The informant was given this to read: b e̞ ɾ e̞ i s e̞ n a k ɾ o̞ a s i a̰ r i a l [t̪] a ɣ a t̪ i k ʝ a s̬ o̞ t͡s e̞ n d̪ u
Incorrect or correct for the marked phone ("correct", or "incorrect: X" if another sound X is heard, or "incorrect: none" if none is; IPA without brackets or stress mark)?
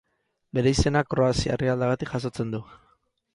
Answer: incorrect: d̪